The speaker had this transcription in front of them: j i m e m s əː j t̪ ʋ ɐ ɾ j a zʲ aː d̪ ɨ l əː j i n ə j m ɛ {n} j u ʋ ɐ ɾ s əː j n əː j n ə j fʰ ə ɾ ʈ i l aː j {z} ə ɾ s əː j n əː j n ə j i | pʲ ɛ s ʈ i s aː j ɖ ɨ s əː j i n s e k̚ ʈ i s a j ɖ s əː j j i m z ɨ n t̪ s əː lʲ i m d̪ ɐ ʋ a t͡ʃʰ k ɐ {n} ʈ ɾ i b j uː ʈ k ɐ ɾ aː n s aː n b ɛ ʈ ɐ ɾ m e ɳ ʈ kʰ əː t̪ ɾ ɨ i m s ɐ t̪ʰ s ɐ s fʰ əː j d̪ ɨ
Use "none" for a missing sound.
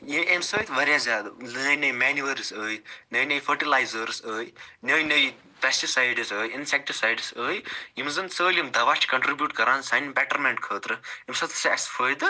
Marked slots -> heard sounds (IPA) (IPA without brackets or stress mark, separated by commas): n, z, ɳ